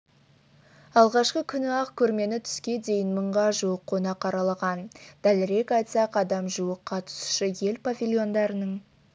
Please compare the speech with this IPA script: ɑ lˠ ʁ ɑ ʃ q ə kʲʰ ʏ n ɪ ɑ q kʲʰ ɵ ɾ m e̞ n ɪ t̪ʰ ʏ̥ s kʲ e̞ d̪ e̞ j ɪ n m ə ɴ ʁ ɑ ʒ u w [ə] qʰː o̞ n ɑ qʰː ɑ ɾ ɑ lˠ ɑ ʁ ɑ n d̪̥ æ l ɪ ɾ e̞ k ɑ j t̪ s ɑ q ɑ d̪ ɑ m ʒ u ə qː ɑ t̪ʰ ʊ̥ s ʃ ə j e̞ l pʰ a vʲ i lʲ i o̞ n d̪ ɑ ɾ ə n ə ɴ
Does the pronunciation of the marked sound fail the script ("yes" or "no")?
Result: no